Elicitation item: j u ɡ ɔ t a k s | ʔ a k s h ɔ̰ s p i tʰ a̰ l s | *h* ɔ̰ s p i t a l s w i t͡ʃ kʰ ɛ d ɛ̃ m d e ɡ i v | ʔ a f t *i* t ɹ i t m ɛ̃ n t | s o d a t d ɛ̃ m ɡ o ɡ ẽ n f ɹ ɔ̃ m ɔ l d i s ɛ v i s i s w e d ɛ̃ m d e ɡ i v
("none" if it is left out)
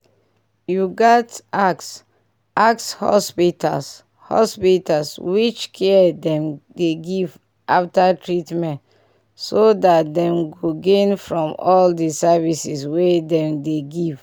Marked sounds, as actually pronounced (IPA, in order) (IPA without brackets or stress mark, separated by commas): h, a